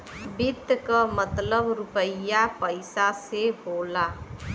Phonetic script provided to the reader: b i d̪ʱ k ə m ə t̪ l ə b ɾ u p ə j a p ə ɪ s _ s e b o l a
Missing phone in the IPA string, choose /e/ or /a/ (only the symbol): a